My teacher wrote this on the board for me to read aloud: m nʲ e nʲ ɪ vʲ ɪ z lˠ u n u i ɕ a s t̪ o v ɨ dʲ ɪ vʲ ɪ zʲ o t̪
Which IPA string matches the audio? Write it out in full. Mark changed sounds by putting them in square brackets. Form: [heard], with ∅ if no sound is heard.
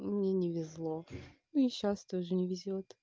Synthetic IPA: m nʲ e nʲ ɪ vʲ ɪ z lˠ [o] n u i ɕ a s t̪ o [ʐ] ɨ [nʲ] ɪ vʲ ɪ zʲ o t̪